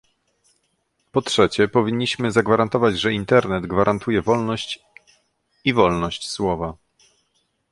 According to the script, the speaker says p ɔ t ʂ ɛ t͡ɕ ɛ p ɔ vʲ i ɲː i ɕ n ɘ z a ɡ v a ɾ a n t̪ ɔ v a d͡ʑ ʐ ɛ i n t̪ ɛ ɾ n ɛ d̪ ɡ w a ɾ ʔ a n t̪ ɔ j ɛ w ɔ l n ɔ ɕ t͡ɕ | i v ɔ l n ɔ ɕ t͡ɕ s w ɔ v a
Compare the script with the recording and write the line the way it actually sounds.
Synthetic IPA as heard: p ɔ t ʂ ɛ t͡ɕ ɛ p ɔ vʲ i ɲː i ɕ m ɘ z a ɡ v a ɾ a n t̪ ɔ v a d͡ʑ ʐ ɛ i n t̪ ɛ ɾ n ɛ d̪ ɡ v a ɾ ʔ a n t̪ u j ɛ v ɔ l n ɔ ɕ t͡ɕ | i v ɔ l n ɔ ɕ t͡ɕ s w ɔ v a